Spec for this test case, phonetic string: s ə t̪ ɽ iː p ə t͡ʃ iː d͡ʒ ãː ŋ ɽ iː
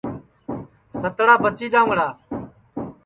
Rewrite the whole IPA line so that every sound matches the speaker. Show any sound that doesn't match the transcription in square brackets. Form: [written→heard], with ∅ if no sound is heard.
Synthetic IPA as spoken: s ə t̪ ɽ [iː→aː] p ə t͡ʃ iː d͡ʒ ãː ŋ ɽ [iː→aː]